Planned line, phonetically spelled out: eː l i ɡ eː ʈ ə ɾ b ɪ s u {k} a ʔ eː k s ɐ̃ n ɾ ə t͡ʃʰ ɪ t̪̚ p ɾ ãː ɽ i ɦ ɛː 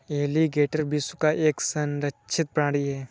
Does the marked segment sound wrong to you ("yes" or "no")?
no